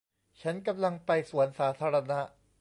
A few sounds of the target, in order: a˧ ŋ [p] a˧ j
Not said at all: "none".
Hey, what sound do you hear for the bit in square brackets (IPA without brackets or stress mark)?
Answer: p